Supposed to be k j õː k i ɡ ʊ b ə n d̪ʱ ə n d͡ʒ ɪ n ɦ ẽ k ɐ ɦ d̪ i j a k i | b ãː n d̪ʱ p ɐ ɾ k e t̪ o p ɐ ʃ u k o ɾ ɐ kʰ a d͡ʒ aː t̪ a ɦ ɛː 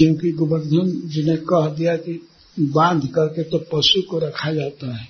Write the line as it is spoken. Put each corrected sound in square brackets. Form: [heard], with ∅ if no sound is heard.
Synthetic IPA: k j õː k i ɡ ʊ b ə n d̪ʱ ə n d͡ʒ ɪ n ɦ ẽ k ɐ ɦ d̪ i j a k i | b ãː n d̪ʱ [k] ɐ ɾ k e t̪ o p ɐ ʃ u k o ɾ ɐ kʰ a d͡ʒ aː t̪ a ɦ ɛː